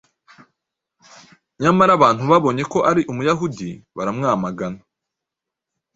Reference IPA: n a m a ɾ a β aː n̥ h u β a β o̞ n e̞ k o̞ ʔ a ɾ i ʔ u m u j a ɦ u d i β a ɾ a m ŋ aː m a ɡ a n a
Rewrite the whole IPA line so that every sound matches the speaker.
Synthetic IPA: ɲ a m a ɾ a β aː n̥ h u β a β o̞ ɲ e̞ k o̞ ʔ a ɾ i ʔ u m u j a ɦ u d i β a ɾ a m ŋ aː m a ɡ a n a